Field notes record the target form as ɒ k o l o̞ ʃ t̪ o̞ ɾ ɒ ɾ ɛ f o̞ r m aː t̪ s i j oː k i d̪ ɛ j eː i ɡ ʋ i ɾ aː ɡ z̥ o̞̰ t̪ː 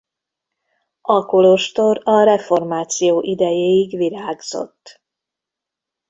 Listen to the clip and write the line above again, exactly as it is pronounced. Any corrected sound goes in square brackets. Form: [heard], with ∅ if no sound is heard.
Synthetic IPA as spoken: ɒ k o l o̞ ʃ t̪ o̞ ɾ ɒ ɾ ɛ f o̞ r m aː t̪ s i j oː [ʔ] i d̪ ɛ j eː i ɡ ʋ i ɾ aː ɡ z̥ o̞̰ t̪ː

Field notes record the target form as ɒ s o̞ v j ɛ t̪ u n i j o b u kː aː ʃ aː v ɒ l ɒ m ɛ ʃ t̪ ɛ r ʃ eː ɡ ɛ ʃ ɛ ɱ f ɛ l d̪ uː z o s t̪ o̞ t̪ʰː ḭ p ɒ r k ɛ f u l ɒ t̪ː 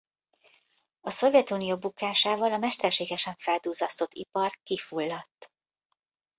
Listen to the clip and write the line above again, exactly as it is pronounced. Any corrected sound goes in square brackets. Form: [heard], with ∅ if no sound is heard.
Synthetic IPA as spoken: ɒ s o̞ v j ɛ t̪ u n i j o b u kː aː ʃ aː v ɒ l ɒ m ɛ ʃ t̪ ɛ r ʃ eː ɡ ɛ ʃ ɛ ɱ f ɛ l d̪ uː z [ɒ] s t̪ o̞ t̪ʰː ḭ p ɒ r k [i] f u [lː] ɒ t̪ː

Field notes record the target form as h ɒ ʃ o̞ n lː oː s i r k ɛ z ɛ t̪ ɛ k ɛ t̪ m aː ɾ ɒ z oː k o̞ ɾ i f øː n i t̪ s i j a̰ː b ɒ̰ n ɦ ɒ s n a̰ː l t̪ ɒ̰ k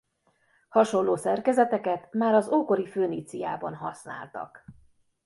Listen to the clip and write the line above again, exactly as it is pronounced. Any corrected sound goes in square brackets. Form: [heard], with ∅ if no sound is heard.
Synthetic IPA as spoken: h ɒ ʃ o̞ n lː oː s [ɛ] r k ɛ z ɛ t̪ ɛ k ɛ t̪ m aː ɾ ɒ z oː k o̞ ɾ i f øː n i t̪ s i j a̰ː b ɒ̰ n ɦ ɒ s n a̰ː l t̪ ɒ̰ k

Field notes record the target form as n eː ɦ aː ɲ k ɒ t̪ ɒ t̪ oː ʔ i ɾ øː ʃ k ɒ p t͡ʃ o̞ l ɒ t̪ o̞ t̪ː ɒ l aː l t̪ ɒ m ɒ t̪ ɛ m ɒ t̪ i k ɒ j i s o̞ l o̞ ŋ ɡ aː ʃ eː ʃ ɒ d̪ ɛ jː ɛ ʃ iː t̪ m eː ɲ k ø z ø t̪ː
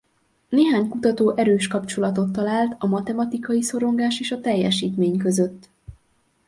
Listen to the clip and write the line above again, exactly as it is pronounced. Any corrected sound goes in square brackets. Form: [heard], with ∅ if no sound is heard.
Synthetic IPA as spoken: n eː ɦ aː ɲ k [u] t̪ ɒ t̪ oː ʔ [ɛ] ɾ øː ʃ k ɒ p t͡ʃ o̞ l ɒ t̪ o̞ t̪ː ɒ l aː l t̪ ɒ m ɒ t̪ ɛ m ɒ t̪ i k ɒ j i s o̞ [ɾ] o̞ ŋ ɡ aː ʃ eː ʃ ɒ [t̪] ɛ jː ɛ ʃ iː t̪ m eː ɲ k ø z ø t̪ː

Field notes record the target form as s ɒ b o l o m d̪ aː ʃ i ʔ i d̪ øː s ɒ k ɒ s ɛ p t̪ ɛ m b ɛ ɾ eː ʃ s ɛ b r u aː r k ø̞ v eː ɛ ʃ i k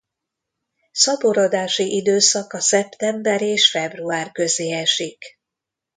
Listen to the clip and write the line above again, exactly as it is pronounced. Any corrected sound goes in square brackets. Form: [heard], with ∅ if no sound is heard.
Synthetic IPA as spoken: s ɒ b o [ɾ] o [∅] d̪ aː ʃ i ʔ i d̪ øː s ɒ k ɒ s ɛ p t̪ ɛ m b ɛ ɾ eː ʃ [f] ɛ b r u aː r k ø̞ [z] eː ɛ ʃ i k

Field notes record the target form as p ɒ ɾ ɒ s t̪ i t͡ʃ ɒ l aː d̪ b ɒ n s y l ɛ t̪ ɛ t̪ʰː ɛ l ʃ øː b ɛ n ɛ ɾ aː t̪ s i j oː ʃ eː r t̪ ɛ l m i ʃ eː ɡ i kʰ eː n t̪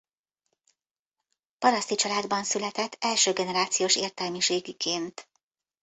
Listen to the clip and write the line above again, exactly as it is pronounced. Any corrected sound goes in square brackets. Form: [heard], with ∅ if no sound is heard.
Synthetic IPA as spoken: p ɒ ɾ ɒ s t̪ i t͡ʃ ɒ l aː d̪ b ɒ n s y l ɛ t̪ ɛ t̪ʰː ɛ l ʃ øː [ɡ] ɛ n ɛ ɾ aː t̪ s i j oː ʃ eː r t̪ ɛ l m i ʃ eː ɡ i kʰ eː n t̪

